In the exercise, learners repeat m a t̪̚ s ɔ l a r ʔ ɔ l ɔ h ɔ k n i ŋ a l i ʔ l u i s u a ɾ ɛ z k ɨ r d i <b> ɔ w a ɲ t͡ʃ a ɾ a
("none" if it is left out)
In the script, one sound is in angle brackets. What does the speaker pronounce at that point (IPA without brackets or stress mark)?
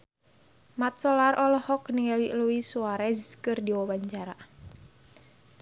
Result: w